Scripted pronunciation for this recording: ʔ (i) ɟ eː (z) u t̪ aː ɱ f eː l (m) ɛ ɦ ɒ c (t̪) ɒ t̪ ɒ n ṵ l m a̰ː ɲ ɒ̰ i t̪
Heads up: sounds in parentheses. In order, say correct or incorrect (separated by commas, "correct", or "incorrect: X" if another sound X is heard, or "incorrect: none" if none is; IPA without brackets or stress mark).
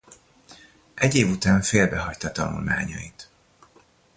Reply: incorrect: ɛ, incorrect: v, incorrect: b, correct